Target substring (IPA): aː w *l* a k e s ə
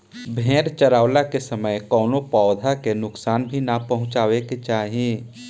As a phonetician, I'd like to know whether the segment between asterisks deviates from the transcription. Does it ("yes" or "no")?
no